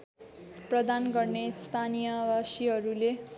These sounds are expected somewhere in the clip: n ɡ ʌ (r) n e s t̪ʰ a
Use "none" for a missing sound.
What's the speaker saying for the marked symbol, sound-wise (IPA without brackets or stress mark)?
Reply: r